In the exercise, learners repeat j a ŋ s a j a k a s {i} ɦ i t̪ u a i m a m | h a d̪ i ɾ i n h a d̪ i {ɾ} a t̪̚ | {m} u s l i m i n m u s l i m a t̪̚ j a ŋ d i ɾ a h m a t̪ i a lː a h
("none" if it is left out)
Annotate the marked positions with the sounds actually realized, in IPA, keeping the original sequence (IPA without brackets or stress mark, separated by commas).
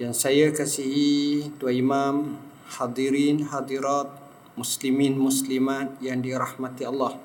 i, ɾ, m